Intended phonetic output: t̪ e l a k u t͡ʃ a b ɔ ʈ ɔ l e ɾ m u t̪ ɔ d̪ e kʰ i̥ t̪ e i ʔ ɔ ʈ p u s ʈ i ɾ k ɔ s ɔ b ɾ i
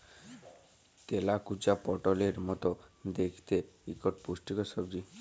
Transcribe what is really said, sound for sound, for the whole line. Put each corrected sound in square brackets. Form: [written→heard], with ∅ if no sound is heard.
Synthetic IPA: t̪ e l a k u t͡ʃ a [b→p] ɔ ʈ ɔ l e ɾ m [u→ɔ] t̪ ɔ d̪ e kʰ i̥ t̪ e i [ʔ→k] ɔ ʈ p u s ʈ i [ɾ→∅] k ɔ s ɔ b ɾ i